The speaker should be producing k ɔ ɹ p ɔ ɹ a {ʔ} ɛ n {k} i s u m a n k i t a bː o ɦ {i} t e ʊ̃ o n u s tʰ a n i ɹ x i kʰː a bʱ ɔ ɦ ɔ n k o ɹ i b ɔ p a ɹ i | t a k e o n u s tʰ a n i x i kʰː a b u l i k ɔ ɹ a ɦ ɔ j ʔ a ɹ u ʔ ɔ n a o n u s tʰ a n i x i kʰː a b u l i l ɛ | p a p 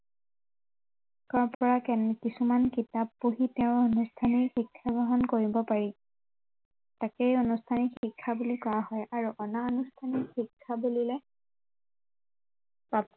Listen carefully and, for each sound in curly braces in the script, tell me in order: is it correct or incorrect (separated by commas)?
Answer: incorrect, correct, correct